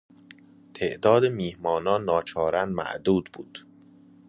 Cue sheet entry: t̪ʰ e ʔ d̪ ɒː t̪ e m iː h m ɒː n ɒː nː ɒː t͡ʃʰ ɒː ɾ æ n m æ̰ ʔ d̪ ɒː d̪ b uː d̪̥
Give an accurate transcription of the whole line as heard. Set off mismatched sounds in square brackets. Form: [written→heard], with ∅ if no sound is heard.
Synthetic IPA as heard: t̪ʰ e ʔ d̪ ɒː [t̪→d̪] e m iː h m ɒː n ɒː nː ɒː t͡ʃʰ ɒː ɾ æ n m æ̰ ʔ d̪ [ɒː→uː] d̪ b uː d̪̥